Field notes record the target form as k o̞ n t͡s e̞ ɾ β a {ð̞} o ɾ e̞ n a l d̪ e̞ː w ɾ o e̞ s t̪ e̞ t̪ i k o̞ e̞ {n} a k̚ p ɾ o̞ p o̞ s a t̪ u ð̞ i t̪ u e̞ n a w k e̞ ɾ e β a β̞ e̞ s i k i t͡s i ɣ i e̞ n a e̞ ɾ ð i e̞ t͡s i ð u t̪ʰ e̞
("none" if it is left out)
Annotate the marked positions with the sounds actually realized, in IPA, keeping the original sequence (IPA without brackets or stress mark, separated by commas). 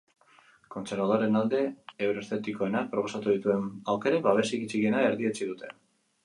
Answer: ð̞, n